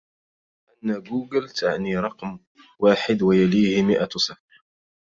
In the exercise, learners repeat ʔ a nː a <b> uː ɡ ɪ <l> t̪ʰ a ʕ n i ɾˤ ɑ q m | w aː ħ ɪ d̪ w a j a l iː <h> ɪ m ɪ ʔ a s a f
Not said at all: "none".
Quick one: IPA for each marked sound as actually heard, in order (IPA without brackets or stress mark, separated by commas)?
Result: ɡ, l, h